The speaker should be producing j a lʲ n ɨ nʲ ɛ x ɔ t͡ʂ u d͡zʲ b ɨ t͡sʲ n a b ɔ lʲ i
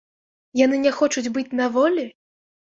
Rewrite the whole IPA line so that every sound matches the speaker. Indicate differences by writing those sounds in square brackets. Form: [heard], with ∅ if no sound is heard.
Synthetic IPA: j a [∅] n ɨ nʲ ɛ x ɔ t͡ʂ u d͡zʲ b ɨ t͡sʲ n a [v] ɔ lʲ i